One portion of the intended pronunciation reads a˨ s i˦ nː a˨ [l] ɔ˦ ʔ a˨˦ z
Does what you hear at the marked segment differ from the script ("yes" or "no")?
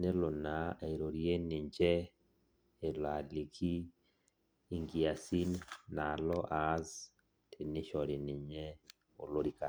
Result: no